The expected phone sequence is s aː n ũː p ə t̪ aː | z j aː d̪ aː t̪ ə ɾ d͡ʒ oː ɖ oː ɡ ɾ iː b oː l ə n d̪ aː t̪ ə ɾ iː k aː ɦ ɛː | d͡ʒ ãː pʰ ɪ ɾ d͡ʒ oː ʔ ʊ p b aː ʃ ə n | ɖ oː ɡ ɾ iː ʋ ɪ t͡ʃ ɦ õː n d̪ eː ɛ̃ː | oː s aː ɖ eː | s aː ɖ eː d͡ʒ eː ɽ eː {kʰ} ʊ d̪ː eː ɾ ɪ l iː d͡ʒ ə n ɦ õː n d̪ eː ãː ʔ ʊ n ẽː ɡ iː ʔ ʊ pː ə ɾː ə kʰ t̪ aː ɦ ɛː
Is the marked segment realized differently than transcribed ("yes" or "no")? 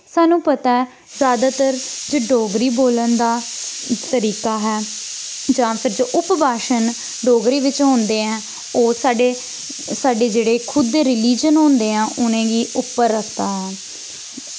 no